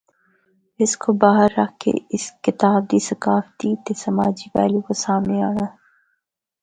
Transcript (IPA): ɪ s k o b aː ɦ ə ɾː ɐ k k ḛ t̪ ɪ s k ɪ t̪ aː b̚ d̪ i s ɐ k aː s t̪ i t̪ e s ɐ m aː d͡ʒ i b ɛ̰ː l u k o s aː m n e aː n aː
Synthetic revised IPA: ɪ s k o b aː ɦ ə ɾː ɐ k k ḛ ɪ s k ɪ t̪ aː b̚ d̪ i s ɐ k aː f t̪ i t̪ e s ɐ m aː d͡ʒ i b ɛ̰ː l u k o s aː m n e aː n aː